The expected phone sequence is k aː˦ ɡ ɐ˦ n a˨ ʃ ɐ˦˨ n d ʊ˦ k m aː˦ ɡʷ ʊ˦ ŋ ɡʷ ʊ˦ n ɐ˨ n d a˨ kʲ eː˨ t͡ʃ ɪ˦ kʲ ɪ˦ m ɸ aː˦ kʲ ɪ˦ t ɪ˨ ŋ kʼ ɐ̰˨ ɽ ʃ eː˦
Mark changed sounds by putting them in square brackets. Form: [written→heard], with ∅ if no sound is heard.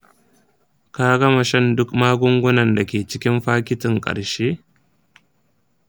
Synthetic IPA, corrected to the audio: k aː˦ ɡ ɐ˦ [n→m] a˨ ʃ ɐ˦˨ n d ʊ˦ k m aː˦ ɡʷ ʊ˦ ŋ ɡʷ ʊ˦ n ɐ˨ n d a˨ kʲ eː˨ t͡ʃ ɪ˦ kʲ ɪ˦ m ɸ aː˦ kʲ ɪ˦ t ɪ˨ ŋ kʼ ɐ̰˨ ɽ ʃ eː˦